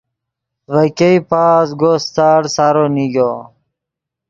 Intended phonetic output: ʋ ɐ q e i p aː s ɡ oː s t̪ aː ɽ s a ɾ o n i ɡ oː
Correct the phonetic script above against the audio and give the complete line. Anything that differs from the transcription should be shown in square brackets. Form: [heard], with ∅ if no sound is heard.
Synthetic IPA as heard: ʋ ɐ [k] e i p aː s ɡ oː s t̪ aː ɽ s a ɾ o n i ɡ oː

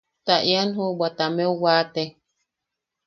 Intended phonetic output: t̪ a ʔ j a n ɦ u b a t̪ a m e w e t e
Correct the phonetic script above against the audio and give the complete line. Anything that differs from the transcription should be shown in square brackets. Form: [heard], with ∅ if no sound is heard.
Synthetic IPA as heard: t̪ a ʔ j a n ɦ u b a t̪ a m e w [a] t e

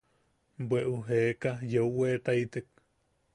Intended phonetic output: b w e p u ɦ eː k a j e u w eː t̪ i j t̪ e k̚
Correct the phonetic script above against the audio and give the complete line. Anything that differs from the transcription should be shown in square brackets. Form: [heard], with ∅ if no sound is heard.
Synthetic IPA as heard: b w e [ʔ] u ɦ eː k a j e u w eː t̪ [a] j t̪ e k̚

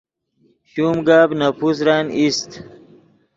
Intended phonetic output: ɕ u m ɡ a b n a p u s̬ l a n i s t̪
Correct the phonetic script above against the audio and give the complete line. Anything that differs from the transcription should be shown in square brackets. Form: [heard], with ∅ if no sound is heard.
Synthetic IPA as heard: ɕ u m ɡ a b n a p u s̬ [ɾ] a n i s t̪

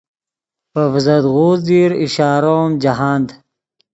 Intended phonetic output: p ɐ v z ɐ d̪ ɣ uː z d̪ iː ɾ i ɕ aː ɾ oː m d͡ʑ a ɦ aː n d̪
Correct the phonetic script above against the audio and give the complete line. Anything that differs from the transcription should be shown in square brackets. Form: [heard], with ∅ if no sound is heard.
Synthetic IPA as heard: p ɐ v z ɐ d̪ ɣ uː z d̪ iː ɾ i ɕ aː ɾ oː m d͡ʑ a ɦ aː n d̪

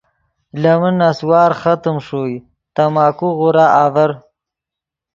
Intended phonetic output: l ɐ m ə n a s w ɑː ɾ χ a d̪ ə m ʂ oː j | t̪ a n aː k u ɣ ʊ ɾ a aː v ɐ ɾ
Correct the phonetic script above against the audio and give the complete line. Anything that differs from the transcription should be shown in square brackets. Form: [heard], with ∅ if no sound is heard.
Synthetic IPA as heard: l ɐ m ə n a s w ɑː ɾ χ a [t̪] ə m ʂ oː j | t̪ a [m] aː k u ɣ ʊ ɾ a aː v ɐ ɾ

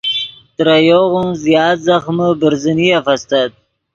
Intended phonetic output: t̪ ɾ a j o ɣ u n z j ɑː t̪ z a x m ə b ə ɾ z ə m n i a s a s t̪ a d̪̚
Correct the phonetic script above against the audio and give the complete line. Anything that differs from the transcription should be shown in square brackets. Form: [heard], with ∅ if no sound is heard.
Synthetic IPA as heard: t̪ ɾ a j o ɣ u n z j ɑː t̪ z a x m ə b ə ɾ z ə [∅] n i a [f] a s t̪ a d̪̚

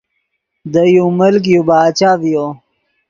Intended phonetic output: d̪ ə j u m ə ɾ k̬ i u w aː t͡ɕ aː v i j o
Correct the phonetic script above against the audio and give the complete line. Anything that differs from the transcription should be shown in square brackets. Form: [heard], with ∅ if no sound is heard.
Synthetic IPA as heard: d̪ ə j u m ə [l] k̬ [j] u [b] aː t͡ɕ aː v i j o

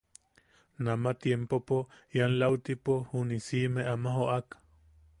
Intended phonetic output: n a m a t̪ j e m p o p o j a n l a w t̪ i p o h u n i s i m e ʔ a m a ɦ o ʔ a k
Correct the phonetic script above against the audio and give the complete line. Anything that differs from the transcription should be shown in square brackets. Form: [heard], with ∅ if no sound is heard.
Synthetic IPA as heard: n a m a t̪ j e m p o p o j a n l a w t̪ i p o h u n i s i m e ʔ a m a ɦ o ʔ a k

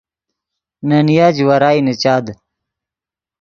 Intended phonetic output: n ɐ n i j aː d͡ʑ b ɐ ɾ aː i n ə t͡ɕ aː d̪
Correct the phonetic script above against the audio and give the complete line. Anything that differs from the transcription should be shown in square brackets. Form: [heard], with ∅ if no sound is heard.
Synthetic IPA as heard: n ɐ n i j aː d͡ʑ [w] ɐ ɾ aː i n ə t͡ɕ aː d̪

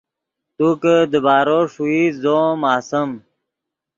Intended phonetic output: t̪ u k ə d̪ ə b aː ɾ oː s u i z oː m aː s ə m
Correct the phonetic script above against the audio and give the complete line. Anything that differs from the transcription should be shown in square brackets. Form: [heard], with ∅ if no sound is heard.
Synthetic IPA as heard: t̪ u k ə d̪ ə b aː ɾ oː [ʂ] u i z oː m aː s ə m

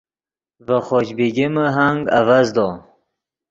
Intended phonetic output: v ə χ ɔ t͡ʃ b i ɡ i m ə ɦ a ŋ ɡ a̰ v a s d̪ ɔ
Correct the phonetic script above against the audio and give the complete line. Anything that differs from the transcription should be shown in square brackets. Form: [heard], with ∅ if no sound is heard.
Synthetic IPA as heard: v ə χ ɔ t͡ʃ b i ɡ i m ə ɦ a ŋ ɡ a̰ v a [z] d̪ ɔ

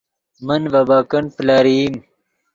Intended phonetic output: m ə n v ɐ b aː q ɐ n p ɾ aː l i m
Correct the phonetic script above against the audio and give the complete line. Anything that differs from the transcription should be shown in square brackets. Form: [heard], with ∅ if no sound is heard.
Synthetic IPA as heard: m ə n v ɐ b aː [k] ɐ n p [l] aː [ɾ] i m

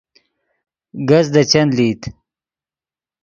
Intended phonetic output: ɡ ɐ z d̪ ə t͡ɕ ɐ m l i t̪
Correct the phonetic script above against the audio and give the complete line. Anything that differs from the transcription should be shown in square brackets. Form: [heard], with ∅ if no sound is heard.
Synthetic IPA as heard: ɡ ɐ z d̪ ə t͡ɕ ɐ [n] l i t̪

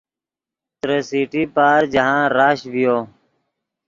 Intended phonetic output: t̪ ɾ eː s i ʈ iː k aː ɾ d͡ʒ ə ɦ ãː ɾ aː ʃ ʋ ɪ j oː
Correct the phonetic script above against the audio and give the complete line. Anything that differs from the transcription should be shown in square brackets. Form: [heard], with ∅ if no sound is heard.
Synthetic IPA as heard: t̪ ɾ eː s [iː] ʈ iː [p] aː ɾ d͡ʒ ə ɦ ãː ɾ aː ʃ ʋ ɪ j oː

